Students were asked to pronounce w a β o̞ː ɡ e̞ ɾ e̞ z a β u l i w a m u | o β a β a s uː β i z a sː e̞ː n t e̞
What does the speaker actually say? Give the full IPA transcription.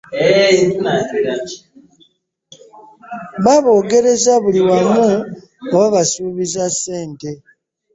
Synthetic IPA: β a β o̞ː ɡ e̞ ɾ e̞ z a β u l i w a m u | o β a β a s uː β i z a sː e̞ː n t e̞